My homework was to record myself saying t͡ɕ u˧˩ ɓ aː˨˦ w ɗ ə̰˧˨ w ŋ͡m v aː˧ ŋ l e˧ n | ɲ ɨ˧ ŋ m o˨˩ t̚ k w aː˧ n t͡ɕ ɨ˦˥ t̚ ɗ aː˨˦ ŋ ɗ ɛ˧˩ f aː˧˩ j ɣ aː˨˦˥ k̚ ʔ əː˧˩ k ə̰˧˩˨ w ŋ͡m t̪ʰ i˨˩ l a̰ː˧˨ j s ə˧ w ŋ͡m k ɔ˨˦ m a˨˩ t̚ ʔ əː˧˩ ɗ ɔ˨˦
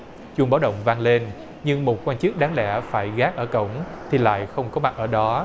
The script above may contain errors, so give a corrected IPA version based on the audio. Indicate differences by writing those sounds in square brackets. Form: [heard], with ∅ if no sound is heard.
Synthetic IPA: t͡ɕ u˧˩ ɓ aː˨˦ w ɗ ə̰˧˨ w ŋ͡m v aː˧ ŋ l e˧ n | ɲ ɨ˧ ŋ m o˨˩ t̚ k w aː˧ n t͡ɕ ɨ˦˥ [k̚] ɗ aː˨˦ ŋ ɗ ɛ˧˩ f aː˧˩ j ɣ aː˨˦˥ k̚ ʔ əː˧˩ k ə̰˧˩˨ w ŋ͡m t̪ʰ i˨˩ l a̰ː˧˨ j [x] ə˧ w ŋ͡m k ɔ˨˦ m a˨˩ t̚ ʔ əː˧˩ ɗ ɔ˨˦